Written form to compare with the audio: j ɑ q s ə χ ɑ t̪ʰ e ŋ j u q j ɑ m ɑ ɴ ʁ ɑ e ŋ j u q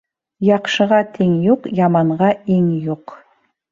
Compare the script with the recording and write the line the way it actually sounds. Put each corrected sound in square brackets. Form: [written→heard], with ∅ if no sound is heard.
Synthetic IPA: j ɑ q [s→ʃ] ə [χ→ʁ] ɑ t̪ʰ e ŋ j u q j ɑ m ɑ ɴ ʁ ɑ e ŋ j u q

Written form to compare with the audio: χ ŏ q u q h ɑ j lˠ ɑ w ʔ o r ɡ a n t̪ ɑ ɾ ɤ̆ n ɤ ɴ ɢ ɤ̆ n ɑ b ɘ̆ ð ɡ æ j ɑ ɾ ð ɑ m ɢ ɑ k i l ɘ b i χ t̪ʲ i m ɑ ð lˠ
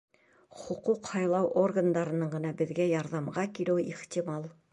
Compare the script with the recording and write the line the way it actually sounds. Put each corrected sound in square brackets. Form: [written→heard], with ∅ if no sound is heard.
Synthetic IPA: χ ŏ q u q h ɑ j lˠ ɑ w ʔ o r ɡ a n [t̪→d̪] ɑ ɾ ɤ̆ n ɤ ɴ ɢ ɤ̆ n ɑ b ɘ̆ ð ɡ æ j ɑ ɾ ð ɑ m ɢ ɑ k i l ɘ [b→w] i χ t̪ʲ i m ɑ [ð→∅] lˠ

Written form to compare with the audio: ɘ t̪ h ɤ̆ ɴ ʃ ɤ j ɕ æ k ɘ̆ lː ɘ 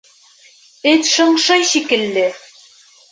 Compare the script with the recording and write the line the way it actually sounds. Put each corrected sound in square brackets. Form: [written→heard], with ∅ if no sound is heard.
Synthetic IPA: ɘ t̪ [h→ʃ] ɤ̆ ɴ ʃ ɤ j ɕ [æ→i] k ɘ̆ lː ɘ

